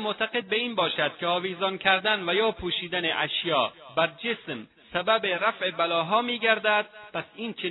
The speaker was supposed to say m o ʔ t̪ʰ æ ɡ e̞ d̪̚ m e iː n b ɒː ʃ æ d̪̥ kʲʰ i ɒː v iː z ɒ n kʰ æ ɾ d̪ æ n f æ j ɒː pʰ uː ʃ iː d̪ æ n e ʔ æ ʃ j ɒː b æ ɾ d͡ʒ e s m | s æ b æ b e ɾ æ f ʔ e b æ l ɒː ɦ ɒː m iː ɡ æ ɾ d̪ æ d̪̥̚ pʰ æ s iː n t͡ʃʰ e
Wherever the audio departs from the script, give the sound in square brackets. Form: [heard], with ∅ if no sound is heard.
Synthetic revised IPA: m o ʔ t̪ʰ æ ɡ e̞ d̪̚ [b] e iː n b ɒː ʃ æ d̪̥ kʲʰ [e] ɒː v iː z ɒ n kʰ æ ɾ d̪ æ n [v] æ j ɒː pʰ uː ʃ iː d̪ æ n e ʔ æ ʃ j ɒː b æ ɾ d͡ʒ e s m | s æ b æ b e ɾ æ f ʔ e b æ l ɒː ɦ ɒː m iː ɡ æ ɾ d̪ æ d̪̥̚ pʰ æ s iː n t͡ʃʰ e